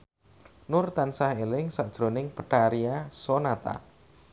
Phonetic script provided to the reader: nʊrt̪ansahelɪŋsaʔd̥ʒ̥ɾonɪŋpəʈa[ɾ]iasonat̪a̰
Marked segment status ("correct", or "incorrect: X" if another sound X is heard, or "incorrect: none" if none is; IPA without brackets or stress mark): correct